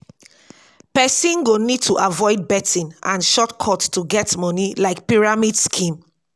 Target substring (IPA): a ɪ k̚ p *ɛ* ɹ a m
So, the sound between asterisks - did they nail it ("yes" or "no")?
no